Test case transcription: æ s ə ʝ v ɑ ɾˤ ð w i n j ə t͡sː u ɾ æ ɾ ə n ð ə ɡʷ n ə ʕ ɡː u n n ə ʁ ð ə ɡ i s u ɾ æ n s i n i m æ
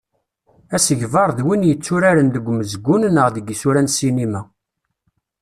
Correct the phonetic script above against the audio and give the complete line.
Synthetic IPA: æ s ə ʝ v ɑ ɾˤ ð w i n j ə t͡sː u ɾ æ ɾ ə n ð ə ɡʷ m ə z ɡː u n n ə ʁ ð ə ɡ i s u ɾ æ n s i n i m æ